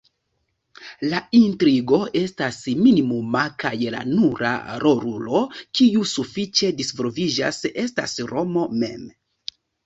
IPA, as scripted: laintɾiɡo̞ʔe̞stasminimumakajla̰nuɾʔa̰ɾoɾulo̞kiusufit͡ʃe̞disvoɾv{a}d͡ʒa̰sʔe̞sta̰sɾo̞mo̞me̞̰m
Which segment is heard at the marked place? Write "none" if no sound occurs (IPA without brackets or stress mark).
i